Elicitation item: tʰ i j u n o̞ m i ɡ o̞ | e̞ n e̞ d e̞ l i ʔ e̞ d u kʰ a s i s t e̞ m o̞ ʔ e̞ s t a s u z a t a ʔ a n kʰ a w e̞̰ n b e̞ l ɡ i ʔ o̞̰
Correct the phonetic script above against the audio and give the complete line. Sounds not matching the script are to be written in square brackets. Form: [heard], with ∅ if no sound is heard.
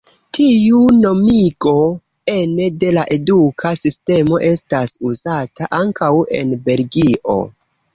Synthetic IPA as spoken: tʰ i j u n o̞ m i ɡ o̞ | e̞ n e̞ d e̞ l [a] ʔ e̞ d u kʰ a s i s t e̞ m o̞ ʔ e̞ s t a s u z a t a ʔ a [ŋ] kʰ a w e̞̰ n b e̞ l ɡ i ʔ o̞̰